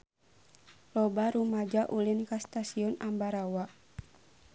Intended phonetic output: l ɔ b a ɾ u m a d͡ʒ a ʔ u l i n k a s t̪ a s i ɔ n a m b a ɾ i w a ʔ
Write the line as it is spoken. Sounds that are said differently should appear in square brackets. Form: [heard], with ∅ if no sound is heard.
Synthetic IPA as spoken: l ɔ b a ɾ u m a d͡ʒ a ʔ u l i n k a s t̪ a s i ɔ n a m b a ɾ [a] w a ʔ